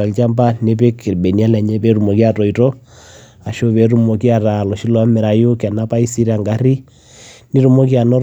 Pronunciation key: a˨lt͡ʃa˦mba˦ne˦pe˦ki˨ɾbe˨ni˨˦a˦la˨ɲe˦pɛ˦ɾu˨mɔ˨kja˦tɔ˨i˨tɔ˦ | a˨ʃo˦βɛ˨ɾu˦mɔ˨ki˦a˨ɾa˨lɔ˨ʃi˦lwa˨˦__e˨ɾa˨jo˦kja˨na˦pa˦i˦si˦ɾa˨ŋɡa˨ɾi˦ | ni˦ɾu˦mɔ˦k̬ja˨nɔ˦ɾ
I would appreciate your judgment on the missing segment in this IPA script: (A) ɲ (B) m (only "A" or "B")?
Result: B